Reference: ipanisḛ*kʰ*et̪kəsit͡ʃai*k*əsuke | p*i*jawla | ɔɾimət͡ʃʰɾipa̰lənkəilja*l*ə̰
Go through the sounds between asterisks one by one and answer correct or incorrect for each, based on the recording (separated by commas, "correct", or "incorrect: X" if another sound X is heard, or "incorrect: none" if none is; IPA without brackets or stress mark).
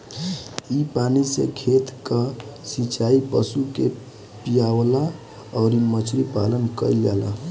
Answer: correct, incorrect: p, correct, correct